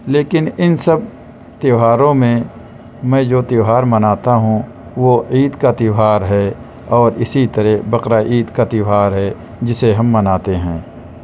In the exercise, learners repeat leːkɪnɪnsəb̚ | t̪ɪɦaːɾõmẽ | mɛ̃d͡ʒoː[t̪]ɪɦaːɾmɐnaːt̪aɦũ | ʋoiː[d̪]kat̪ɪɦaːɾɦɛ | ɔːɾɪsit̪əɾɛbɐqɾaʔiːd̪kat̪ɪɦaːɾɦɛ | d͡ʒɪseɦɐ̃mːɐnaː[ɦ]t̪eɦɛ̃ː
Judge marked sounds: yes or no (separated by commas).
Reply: yes, yes, no